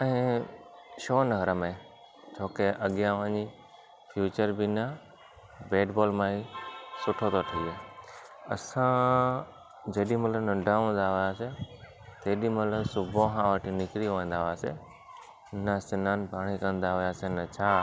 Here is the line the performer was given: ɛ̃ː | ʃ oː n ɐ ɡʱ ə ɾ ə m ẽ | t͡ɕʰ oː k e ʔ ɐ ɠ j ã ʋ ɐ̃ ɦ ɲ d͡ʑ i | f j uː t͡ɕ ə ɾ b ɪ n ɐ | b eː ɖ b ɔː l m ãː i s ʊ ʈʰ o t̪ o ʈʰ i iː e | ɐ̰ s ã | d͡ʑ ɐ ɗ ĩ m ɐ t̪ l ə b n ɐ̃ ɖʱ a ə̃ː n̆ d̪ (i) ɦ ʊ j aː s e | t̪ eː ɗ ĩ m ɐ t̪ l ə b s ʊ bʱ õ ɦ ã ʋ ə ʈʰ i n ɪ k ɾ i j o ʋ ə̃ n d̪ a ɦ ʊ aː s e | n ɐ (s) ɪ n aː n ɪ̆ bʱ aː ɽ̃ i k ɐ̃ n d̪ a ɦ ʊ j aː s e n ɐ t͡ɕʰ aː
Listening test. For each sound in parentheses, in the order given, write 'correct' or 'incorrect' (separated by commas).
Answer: incorrect, correct